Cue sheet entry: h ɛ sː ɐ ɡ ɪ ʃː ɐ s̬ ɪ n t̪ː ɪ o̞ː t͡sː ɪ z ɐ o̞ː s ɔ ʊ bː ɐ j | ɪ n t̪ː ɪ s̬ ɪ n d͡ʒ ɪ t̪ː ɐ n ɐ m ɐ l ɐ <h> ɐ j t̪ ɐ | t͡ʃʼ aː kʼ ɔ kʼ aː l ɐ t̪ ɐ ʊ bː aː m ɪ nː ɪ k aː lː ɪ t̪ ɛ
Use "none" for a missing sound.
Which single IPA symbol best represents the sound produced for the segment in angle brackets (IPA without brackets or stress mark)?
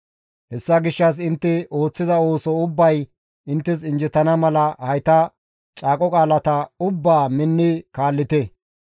h